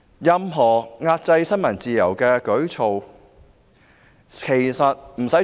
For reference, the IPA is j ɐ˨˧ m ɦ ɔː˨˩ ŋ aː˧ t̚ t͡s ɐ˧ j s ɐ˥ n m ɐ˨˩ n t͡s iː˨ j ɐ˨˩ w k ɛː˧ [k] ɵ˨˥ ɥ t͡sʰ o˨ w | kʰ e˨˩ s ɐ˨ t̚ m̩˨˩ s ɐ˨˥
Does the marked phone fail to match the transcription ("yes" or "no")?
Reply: no